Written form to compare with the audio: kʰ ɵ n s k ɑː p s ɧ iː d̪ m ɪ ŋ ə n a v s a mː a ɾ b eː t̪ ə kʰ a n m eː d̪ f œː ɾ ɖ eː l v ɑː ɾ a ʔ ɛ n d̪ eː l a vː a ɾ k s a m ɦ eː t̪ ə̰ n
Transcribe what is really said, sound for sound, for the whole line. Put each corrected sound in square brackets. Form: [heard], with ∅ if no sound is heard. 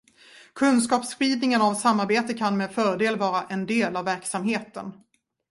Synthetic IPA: kʰ ɵ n s k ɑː p s ɧ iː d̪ [n] ɪ ŋ ə n a v s a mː a ɾ b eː t̪ ə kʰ a n m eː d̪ f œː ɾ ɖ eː l v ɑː ɾ a ʔ ɛ n d̪ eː l a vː [æ] ɾ k s a m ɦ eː t̪ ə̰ n